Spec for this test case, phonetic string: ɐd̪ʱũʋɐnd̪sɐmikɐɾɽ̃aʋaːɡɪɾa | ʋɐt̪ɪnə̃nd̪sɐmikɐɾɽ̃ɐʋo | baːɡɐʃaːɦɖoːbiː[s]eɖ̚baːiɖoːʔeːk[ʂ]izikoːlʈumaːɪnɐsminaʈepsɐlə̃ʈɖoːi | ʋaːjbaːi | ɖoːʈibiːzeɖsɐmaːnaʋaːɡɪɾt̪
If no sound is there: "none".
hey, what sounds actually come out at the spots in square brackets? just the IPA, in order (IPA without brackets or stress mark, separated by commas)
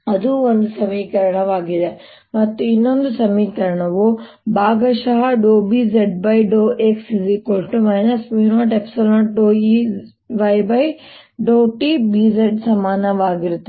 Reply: z, s